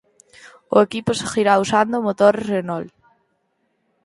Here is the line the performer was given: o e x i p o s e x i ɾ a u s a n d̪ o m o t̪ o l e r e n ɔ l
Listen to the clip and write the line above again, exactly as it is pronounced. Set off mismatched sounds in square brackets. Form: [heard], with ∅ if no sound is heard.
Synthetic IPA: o e [k] i p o s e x i ɾ a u s a n d̪ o m o t̪ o [ɾ] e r e n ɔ l

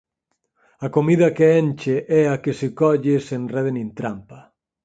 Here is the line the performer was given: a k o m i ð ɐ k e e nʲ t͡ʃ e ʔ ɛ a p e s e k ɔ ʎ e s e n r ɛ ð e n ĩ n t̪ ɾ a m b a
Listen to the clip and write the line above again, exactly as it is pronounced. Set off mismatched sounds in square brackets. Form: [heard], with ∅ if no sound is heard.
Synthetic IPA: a k o m i ð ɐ k e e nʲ t͡ʃ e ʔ ɛ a [k] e s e k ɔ ʎ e s e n r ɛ ð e n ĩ n t̪ ɾ a m [p] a

